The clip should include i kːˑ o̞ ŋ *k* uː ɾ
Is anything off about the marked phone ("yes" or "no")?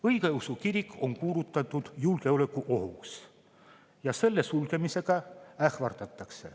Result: no